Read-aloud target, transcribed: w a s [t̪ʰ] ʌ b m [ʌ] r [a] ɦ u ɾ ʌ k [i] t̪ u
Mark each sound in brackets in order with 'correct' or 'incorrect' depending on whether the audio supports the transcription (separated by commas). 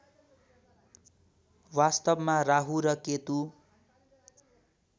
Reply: incorrect, incorrect, correct, incorrect